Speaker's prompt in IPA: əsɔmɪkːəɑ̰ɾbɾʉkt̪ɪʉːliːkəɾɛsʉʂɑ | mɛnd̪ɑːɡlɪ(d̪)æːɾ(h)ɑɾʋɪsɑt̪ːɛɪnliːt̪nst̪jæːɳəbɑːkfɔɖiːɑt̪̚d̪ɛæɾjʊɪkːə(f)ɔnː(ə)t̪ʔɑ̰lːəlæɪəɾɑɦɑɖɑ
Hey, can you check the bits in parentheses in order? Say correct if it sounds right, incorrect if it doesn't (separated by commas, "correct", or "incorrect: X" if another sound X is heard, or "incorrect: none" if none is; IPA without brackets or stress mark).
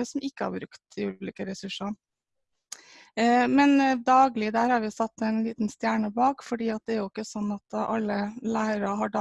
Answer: correct, correct, incorrect: s, incorrect: ɑ